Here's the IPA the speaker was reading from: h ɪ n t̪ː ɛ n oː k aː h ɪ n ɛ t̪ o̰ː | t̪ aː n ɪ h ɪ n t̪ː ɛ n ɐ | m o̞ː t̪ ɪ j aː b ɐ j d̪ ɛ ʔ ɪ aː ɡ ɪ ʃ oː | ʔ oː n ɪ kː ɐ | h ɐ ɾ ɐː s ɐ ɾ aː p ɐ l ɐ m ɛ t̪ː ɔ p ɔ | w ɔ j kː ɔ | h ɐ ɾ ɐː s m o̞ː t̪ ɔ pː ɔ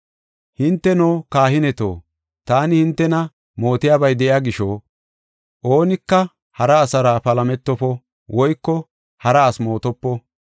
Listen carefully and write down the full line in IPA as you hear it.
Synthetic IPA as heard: h ɪ n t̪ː ɛ n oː k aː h ɪ n ɛ t̪ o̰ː | t̪ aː n ɪ h ɪ n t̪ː ɛ n ɐ | m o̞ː t̪ ɪ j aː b ɐ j d̪ ɛ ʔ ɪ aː ɡ ɪ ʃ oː | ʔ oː n ɪ kː ɐ | h ɐ ɾ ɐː s ɐ ɾ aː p ɐ l ɐ m ɛ t̪ː ɔ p ɔ | w ɔ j kː ɔ | h ɐ ɾ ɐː s m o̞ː t̪ ɔ pː ɔ